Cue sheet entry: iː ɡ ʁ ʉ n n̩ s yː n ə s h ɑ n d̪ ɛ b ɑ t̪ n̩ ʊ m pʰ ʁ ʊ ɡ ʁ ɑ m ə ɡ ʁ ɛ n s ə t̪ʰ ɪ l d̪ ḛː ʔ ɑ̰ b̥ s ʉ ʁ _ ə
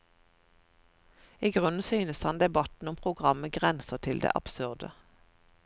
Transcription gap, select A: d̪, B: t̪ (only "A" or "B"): A